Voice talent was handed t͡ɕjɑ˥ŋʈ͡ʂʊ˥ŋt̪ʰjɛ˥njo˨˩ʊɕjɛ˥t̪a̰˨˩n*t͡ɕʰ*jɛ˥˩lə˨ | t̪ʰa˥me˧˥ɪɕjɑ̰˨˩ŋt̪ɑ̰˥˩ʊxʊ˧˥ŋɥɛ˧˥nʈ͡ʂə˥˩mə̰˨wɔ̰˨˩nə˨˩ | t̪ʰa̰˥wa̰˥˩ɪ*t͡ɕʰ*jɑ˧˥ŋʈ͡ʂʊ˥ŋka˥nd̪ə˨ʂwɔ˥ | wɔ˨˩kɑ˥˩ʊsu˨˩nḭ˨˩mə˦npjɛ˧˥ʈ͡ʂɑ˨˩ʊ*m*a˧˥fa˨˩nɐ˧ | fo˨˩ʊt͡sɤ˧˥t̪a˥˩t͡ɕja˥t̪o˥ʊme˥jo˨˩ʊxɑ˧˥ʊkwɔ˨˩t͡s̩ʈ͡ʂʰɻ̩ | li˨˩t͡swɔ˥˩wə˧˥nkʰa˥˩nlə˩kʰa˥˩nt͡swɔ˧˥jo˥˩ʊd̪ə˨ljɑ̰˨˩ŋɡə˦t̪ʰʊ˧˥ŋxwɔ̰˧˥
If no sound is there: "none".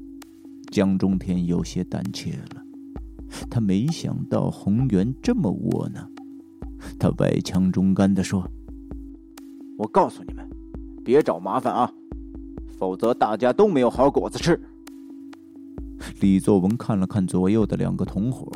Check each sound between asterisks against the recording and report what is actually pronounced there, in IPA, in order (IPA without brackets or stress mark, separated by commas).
t͡ɕʰ, t͡ɕʰ, m